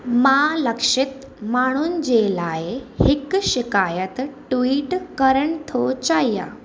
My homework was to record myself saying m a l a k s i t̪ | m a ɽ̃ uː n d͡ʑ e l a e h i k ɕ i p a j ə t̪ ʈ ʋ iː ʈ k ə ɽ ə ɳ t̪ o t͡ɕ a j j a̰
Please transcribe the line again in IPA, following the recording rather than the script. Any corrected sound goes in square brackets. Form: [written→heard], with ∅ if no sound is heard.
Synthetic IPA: m a l [a→ə] k [s→ʂ] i t̪ | m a ɽ̃ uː n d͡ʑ e l a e h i k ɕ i [p→k] a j ə t̪ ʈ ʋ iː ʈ k ə [ɽ→ɾ] ə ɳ [t̪→t̪ʰ] o t͡ɕ a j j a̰